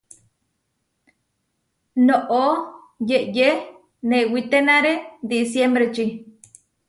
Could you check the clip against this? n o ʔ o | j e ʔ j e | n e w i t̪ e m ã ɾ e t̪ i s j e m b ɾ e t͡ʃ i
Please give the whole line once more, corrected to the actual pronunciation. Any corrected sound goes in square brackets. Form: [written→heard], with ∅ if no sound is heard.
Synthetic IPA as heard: n o ʔ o | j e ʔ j e | n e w i t̪ e [m→n] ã ɾ e [t̪→d̪] i s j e m b ɾ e t͡ʃ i